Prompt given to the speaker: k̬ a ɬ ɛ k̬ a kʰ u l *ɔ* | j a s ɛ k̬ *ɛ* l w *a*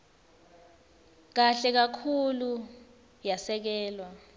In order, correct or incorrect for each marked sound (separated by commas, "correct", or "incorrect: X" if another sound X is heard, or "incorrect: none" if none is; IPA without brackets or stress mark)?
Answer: incorrect: u, incorrect: ɛː, correct